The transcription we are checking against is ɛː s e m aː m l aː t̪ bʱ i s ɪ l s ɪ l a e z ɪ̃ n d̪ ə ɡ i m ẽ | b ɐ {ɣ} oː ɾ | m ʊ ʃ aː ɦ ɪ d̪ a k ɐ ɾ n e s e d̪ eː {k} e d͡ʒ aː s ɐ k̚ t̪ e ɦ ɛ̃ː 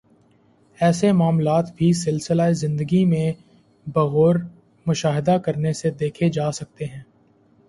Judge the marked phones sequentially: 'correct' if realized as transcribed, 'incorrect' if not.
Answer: correct, incorrect: kʰ

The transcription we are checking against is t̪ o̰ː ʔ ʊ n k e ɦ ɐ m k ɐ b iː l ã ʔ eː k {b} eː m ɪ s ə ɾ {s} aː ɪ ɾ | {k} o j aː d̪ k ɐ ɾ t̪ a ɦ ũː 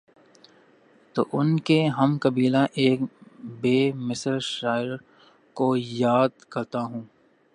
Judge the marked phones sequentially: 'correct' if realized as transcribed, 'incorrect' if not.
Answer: correct, incorrect: ʃ, correct

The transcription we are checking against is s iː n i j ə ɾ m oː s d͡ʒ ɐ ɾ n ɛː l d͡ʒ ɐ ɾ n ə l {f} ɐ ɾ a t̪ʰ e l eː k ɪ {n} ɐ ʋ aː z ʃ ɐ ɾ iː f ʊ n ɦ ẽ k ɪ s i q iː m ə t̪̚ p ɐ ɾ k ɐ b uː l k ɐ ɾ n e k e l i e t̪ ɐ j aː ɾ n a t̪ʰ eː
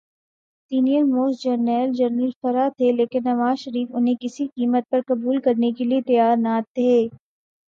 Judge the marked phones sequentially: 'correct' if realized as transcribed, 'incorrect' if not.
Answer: correct, incorrect: nː

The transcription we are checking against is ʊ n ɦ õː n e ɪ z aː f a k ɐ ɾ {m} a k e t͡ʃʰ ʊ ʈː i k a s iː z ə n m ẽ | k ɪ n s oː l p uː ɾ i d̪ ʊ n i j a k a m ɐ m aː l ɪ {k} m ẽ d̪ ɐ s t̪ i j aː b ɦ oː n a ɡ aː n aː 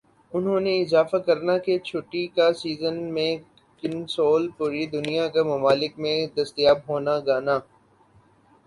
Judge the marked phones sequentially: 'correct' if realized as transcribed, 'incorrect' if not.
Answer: incorrect: n, correct

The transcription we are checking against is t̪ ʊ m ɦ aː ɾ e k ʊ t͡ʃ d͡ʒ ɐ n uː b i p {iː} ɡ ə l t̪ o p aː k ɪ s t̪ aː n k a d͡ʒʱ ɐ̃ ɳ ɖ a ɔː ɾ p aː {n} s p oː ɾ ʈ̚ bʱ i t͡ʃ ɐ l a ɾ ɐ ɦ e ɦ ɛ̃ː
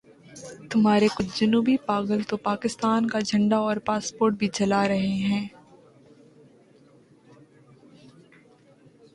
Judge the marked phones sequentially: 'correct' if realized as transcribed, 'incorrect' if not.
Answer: incorrect: aː, incorrect: none

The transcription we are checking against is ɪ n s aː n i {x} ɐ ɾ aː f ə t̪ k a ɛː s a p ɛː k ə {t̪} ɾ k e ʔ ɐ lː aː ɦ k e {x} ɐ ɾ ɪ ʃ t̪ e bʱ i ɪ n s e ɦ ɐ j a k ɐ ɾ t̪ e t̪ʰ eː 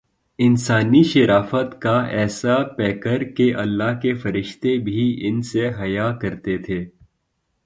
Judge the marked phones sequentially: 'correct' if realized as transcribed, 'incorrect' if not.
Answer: incorrect: ʃ, incorrect: none, incorrect: f

